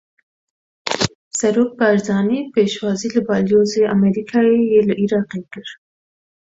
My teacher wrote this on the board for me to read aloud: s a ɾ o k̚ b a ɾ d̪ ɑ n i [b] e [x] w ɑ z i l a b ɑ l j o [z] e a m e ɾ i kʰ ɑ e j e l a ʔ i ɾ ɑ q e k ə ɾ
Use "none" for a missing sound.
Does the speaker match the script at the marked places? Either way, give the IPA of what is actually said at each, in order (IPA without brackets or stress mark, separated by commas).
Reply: p, ʃ, z